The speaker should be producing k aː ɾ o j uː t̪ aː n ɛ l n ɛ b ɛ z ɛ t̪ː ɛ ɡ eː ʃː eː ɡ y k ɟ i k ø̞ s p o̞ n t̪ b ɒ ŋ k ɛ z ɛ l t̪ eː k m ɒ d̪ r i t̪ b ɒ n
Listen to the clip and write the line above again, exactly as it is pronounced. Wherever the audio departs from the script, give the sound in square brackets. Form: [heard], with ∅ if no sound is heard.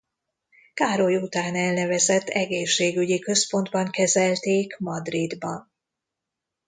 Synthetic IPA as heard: k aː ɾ o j [u] t̪ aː n ɛ l n ɛ [v] ɛ z ɛ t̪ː ɛ ɡ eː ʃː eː ɡ y [∅] ɟ i k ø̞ s p o̞ n [d̪] b ɒ ŋ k ɛ z ɛ l t̪ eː k m ɒ d̪ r i [d̪] b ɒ n